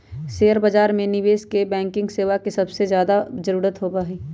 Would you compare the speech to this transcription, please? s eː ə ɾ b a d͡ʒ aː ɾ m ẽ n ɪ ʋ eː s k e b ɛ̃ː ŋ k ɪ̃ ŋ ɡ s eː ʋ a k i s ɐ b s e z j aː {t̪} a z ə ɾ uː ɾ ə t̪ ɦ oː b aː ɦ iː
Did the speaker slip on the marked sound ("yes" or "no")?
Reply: yes